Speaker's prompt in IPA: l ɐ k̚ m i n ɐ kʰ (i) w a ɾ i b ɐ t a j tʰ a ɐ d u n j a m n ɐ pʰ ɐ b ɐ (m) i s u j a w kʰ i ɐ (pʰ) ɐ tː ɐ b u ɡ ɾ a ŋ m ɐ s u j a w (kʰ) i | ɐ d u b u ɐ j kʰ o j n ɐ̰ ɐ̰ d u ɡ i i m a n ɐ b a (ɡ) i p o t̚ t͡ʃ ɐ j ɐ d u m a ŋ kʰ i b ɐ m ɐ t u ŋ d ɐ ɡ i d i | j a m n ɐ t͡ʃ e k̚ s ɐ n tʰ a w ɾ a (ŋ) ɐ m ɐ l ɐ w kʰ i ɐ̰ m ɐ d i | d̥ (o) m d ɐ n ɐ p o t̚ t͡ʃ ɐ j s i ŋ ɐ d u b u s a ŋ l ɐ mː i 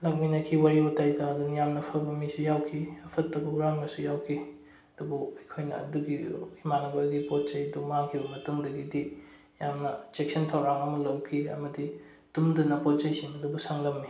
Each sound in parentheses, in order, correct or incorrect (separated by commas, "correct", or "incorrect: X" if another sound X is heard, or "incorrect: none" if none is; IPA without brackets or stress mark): correct, correct, correct, correct, correct, correct, incorrect: u